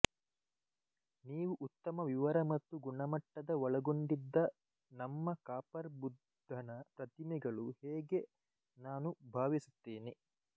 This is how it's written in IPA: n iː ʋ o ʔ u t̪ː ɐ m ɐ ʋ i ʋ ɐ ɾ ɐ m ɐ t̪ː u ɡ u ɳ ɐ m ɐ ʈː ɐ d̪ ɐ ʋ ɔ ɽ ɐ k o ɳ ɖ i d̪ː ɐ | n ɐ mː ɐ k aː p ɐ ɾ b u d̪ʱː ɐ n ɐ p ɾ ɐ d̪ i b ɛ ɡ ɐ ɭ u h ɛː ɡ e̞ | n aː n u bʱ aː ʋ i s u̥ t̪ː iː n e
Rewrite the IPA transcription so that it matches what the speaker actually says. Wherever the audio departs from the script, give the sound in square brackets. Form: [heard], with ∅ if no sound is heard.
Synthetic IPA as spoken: n iː ʋ [u] ʔ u t̪ː ɐ m ɐ ʋ i ʋ ɐ ɾ ɐ m ɐ t̪ː u ɡ u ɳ ɐ m ɐ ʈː ɐ d̪ ɐ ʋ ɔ [ɭ] ɐ [ɡ] o ɳ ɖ i d̪ː ɐ | n ɐ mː ɐ k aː p ɐ ɾ b u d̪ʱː ɐ n ɐ p ɾ ɐ [t̪] i [m] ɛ ɡ ɐ ɭ u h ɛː ɡ e̞ | n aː n u bʱ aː ʋ i s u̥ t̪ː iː n [i]